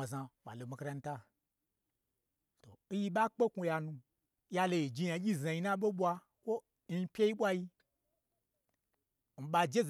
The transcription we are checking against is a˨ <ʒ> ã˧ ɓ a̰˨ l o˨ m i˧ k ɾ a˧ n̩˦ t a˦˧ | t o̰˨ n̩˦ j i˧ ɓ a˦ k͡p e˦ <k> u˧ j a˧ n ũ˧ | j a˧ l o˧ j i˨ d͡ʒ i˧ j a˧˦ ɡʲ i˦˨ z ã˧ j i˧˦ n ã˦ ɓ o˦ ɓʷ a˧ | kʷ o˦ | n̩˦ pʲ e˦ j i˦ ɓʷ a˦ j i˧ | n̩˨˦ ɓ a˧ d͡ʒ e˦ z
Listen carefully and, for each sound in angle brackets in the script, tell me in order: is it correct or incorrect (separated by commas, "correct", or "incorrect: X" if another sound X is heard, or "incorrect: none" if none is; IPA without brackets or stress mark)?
incorrect: z, correct